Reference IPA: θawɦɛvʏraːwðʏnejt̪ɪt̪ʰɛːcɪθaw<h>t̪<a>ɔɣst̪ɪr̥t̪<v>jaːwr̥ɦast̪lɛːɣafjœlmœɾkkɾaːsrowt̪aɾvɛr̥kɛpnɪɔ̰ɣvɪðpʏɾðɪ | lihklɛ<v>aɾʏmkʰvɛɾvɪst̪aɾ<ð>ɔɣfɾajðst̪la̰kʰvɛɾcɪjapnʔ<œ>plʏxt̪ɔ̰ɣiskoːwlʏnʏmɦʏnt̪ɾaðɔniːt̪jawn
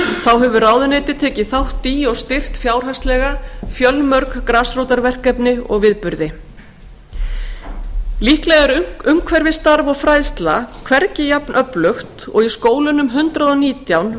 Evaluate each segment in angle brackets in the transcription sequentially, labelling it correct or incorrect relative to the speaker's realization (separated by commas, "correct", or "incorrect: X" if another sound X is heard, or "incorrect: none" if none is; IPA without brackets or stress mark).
correct, incorrect: i, incorrect: f, incorrect: ɣ, incorrect: v, correct